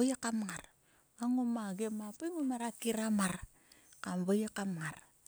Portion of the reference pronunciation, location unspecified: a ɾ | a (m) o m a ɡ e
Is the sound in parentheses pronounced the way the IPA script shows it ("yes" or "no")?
no